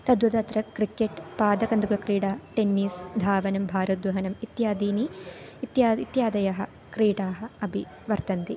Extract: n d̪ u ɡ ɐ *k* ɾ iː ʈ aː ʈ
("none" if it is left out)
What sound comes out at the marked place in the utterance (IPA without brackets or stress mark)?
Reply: k